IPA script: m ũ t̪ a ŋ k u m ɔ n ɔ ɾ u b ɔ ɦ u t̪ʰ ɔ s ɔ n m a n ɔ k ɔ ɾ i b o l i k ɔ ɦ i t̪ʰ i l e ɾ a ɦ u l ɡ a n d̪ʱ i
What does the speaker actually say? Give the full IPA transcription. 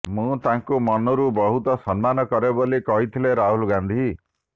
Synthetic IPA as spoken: m ũ t̪ a ŋ k u m ɔ n ɔ ɾ u b ɔ ɦ u t̪ ɔ s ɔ n m a n ɔ k ɔ ɾ e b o l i k ɔ ɦ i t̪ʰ i l e ɾ a ɦ u l ɡ a n d̪ʱ i